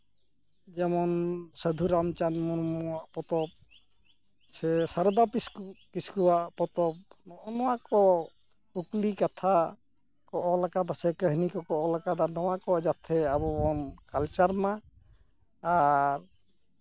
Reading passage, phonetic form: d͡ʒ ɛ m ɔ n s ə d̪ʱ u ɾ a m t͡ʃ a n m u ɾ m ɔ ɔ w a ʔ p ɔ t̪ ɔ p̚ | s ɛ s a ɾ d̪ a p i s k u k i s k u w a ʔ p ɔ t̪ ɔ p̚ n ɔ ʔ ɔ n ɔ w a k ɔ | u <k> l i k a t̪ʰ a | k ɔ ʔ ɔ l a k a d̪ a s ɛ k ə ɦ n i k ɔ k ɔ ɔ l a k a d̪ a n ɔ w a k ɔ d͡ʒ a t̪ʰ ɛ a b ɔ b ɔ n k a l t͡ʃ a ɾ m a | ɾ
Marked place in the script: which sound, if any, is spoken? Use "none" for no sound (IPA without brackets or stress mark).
k